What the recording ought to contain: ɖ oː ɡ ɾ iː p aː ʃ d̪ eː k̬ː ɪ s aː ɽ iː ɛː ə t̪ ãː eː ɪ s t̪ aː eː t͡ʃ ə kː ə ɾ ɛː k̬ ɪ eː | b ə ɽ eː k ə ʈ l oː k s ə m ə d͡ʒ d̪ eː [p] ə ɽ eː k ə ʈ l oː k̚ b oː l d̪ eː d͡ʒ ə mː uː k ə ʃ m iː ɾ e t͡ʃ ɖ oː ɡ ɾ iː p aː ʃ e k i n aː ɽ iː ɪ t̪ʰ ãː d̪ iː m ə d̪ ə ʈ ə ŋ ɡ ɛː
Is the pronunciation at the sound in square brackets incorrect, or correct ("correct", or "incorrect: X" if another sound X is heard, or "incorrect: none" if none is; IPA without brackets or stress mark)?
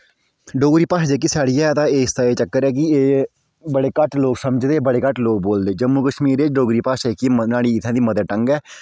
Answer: incorrect: b